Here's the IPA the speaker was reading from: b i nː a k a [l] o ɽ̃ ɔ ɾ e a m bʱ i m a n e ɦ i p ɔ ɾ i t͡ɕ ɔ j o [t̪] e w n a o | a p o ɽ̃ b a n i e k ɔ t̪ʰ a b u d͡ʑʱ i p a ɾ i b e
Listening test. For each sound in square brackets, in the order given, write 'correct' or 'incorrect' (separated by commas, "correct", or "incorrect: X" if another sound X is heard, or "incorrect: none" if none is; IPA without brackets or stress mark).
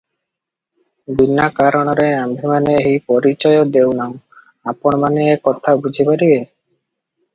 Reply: incorrect: ɾ, incorrect: d̪